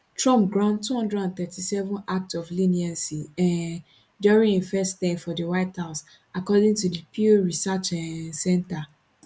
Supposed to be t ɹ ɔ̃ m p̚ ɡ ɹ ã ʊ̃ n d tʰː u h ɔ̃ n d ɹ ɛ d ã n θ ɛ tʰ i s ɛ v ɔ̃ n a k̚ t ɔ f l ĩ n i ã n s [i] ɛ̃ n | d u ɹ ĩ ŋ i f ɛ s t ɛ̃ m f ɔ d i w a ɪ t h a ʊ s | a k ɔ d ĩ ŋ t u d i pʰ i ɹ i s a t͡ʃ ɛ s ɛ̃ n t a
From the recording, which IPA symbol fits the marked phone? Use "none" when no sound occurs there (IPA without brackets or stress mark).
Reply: i